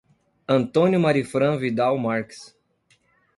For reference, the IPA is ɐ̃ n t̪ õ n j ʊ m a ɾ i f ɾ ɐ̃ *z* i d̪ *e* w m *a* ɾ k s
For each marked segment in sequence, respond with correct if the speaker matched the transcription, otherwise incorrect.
incorrect: v, incorrect: a, correct

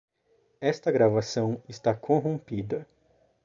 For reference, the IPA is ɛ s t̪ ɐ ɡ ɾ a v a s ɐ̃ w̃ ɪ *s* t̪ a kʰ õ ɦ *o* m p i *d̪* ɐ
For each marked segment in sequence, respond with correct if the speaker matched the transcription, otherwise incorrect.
correct, incorrect: õ, correct

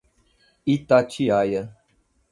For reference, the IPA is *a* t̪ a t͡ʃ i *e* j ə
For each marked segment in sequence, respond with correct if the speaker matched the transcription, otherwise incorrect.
incorrect: i, incorrect: a

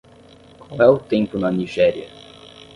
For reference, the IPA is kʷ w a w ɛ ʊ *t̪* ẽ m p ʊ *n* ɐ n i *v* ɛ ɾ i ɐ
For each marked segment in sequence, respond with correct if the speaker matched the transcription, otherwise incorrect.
correct, correct, incorrect: ʒ

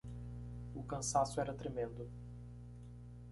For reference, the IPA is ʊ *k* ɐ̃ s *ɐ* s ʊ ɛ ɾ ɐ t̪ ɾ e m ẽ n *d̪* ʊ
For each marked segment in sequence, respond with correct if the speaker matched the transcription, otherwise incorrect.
correct, incorrect: a, correct

